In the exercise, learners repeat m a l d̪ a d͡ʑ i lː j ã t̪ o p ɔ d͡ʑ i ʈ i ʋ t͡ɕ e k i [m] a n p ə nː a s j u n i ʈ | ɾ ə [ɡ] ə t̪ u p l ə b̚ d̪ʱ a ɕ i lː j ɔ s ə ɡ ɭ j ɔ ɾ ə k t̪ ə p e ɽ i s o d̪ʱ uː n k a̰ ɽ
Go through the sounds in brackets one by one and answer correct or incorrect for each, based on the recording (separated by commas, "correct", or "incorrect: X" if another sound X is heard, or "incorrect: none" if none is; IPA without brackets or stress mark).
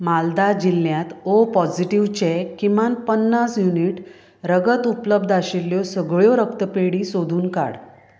correct, correct